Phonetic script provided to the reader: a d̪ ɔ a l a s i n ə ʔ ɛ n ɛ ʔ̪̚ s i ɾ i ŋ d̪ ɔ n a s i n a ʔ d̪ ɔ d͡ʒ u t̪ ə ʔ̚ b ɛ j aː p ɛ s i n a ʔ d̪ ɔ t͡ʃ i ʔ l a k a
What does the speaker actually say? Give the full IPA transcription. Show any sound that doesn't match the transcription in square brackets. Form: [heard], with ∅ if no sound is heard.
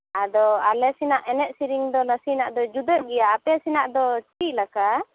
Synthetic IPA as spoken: a d̪ ɔ a l [ɛ] s i n [a] ʔ ɛ n ɛ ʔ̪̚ s i ɾ i ŋ d̪ ɔ n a s i n a ʔ d̪ ɔ d͡ʒ u [d̪] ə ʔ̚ [ɡ] ɛ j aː p ɛ s i n a ʔ d̪ ɔ t͡ʃ i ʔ l a k a

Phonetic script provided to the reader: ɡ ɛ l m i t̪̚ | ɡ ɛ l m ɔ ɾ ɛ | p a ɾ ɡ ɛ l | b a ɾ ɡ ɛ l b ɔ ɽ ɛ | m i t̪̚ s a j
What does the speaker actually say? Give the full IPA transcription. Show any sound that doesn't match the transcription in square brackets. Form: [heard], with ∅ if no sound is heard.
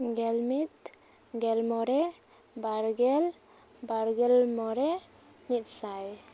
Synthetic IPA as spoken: ɡ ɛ l m i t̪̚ | ɡ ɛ l m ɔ ɾ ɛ | [b] a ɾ ɡ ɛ l | b a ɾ ɡ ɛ l [m] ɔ [ɾ] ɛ | m i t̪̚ s a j

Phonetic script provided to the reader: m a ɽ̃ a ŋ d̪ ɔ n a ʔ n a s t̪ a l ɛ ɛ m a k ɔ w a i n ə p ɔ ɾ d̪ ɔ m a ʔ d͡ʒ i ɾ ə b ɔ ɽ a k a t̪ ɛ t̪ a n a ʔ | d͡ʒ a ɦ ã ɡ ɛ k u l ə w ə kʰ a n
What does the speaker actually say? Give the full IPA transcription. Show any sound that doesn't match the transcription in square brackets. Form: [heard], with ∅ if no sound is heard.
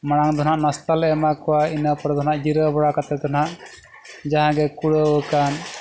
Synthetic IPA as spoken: m a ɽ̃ a ŋ d̪ ɔ n a ʔ n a s t̪ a l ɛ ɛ m a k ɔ w a i n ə p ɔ ɾ d̪ ɔ [n] a ʔ d͡ʒ i ɾ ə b ɔ ɽ a k a t̪ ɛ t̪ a n a ʔ | d͡ʒ a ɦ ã ɡ ɛ k u [ɽ] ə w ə [k] a n

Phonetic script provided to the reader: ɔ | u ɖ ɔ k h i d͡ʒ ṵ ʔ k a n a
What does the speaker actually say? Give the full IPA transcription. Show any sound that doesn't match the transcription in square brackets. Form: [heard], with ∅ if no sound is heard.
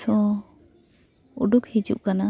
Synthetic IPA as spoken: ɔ | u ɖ [u] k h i d͡ʒ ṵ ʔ k a n a

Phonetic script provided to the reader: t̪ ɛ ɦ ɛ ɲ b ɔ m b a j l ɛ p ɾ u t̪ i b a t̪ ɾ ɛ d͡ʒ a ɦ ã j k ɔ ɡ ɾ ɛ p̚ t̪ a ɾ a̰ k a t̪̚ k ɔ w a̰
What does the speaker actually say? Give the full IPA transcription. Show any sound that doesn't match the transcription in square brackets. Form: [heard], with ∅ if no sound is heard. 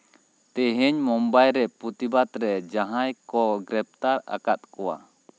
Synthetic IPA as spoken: t̪ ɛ ɦ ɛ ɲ [m] ɔ m b a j [ɾ] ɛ p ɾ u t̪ i b a t̪ ɾ ɛ d͡ʒ a ɦ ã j k ɔ ɡ ɾ ɛ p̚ t̪ a ɾ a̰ k a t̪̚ k ɔ w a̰

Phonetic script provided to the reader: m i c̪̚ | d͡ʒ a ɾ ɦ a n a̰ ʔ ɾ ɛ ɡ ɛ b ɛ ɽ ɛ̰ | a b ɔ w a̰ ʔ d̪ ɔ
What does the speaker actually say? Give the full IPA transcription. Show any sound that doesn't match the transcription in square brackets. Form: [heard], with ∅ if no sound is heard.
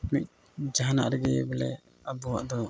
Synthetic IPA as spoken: m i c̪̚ | d͡ʒ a [∅] ɦ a n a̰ ʔ ɾ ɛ ɡ ɛ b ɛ [l] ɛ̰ | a b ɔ w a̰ ʔ d̪ ɔ

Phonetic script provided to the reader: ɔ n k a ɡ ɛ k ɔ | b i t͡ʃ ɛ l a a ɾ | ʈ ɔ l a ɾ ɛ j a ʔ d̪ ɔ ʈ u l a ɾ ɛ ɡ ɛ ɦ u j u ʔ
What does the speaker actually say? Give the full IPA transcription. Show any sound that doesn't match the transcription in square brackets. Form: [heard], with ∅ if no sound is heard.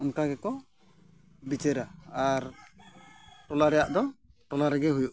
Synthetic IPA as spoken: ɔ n k a ɡ ɛ k ɔ | b i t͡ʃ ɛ [ɾ] a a ɾ | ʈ ɔ l a ɾ ɛ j a ʔ d̪ ɔ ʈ [ɔ] l a ɾ ɛ ɡ ɛ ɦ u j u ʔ

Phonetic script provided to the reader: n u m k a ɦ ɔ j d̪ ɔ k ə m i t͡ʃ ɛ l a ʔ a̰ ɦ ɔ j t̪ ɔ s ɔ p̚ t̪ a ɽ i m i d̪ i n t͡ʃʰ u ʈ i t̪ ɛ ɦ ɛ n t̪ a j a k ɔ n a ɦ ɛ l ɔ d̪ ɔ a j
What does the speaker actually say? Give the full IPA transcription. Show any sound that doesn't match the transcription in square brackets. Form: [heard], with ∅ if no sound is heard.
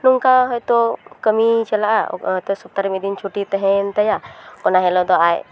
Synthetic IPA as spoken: n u [ŋ] k a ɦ ɔ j [t̪] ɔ k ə m i t͡ʃ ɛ l a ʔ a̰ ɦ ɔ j t̪ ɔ s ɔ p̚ t̪ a [ɾ] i m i d̪ i n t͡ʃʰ u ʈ i t̪ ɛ ɦ ɛ n t̪ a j a k ɔ n a ɦ ɛ l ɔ d̪ ɔ a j

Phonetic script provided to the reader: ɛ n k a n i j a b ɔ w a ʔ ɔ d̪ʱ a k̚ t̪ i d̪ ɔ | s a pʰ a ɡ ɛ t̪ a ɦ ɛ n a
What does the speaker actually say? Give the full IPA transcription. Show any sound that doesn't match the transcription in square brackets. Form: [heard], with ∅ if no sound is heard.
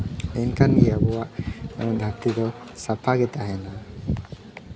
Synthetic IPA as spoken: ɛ n k a n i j a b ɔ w a ʔ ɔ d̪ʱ a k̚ t̪ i d̪ ɔ | s a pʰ a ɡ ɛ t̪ a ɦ ɛ n a

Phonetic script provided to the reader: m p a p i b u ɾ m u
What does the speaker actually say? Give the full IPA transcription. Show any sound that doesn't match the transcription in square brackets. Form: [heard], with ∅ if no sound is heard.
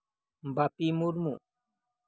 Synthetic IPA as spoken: m [b] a p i [m] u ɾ m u

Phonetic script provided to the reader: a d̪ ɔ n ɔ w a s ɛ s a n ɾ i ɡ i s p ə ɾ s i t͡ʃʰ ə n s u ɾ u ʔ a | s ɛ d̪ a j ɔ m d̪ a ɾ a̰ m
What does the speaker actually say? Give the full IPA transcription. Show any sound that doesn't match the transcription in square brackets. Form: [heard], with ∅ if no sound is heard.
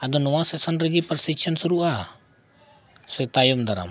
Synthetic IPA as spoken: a d̪ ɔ n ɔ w a s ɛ s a n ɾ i ɡ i [∅] p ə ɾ s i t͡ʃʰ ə n s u ɾ u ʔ a | s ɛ [t̪] a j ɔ m d̪ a ɾ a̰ m

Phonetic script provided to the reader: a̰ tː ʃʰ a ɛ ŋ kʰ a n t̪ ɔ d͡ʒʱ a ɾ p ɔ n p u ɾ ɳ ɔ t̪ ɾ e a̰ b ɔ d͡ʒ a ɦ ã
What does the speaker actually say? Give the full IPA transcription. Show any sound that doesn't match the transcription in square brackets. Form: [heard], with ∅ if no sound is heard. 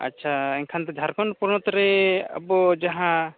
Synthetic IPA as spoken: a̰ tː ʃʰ a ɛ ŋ kʰ a n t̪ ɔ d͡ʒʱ a ɾ [k] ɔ n p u ɾ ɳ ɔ t̪ ɾ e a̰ b ɔ d͡ʒ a ɦ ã

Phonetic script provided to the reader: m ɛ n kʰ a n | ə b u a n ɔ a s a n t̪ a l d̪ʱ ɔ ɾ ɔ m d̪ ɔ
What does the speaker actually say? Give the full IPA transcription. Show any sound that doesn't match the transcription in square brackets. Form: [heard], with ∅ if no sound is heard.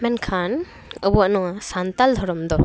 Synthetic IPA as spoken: m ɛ n kʰ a n | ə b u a n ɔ a s a n t̪ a l d̪ʱ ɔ ɾ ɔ m d̪ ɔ

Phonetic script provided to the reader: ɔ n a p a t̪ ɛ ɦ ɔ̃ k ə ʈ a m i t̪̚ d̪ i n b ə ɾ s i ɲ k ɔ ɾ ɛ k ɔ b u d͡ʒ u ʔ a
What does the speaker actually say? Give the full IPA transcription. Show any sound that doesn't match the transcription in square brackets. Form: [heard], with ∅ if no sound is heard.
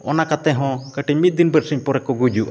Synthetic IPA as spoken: ɔ n a [k] a t̪ ɛ ɦ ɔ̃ k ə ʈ [i] m i t̪̚ d̪ i n b ə ɾ s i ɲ [p] ɔ ɾ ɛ k ɔ [ɡ] u d͡ʒ u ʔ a

